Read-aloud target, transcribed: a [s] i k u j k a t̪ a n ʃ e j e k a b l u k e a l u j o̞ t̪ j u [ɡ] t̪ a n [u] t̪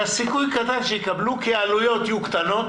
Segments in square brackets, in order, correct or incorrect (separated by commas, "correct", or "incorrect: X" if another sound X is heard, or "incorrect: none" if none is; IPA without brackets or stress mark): correct, incorrect: k, incorrect: o